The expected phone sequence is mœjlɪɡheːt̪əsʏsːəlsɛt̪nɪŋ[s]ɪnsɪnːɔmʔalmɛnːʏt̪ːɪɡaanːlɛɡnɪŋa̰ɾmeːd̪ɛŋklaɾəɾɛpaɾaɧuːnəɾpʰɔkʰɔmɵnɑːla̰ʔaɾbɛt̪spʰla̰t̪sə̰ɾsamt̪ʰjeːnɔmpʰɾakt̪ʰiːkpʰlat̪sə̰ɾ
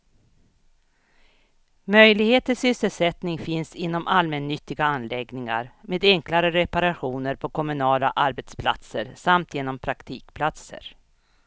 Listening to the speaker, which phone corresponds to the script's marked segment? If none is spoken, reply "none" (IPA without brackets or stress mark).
f